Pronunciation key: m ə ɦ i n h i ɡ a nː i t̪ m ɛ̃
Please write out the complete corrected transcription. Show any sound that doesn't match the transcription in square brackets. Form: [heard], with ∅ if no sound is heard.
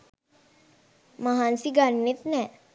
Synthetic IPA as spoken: m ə ɦ [a] n [s] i ɡ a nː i t̪ [n] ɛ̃